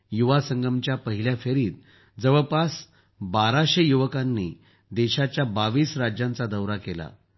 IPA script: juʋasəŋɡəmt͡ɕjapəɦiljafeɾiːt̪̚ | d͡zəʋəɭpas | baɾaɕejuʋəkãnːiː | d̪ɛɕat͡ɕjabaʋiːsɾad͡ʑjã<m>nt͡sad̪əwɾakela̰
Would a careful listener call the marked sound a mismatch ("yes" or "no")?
yes